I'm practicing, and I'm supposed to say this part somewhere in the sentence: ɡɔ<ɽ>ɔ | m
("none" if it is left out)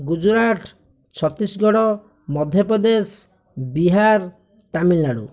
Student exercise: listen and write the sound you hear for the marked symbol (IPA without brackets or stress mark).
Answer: ɽ